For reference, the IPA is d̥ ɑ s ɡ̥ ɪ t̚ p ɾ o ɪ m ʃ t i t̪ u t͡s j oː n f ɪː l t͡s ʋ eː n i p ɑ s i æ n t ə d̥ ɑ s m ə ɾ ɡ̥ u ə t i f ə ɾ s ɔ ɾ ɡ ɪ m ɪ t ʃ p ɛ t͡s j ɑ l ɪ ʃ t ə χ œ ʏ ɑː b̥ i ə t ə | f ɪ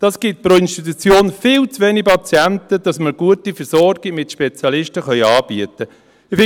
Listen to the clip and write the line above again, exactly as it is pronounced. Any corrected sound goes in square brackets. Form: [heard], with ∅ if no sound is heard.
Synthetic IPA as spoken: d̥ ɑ s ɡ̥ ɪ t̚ p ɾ o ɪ [n] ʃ t i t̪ u t͡s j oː n f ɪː l t͡s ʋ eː n i p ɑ [t͡s] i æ n t ə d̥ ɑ s m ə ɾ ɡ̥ u ə t i f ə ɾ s ɔ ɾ ɡ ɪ m ɪ t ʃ p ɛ t͡s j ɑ l ɪ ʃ t ə χ œ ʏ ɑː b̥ i ə t ə | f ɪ